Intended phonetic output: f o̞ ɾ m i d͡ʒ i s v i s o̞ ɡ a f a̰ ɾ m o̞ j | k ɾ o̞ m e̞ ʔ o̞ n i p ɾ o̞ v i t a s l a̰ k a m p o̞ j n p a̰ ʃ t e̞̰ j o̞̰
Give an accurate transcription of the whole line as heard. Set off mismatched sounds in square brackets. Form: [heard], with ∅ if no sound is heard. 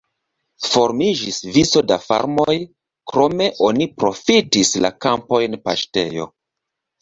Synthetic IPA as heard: f o̞ ɾ m i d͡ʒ i s v i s o̞ [d] a f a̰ ɾ m o̞ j | k ɾ o̞ m e̞ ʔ o̞ n i p ɾ o̞ [f] i t [i] s l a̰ k a m p o̞ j n p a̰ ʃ t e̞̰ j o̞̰